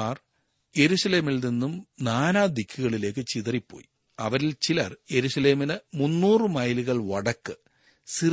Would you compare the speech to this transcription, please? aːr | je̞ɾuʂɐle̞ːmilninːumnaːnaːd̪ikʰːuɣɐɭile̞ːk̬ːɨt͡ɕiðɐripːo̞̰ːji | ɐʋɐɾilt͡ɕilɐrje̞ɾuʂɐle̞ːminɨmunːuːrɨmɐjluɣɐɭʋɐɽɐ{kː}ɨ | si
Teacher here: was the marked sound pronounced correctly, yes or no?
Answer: yes